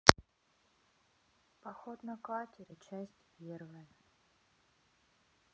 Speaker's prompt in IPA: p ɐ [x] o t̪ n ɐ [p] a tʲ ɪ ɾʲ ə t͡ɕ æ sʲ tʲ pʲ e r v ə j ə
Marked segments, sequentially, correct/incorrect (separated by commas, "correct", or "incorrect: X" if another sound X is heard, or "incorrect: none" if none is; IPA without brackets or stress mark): correct, incorrect: k